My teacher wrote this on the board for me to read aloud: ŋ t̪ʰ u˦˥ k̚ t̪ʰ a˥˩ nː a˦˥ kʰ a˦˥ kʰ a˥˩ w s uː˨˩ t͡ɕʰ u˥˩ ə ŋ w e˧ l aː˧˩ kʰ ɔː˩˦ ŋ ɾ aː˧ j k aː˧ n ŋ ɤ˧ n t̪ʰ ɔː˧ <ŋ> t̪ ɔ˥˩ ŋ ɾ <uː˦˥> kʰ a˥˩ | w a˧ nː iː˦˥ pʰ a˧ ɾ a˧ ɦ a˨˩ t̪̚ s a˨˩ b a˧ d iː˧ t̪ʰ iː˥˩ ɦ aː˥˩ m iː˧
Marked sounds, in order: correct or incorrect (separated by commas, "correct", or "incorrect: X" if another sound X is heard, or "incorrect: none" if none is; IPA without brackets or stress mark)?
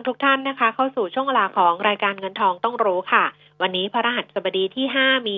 correct, correct